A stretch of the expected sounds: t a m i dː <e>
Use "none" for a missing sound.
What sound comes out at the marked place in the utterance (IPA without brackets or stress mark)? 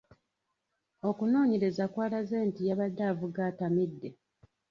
e